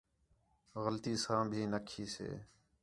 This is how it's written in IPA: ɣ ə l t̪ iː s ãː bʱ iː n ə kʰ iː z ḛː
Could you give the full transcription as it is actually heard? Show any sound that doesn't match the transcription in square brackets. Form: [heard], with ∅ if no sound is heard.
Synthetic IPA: ɣ ə l t̪ iː s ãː bʱ iː n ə kʰ iː [s] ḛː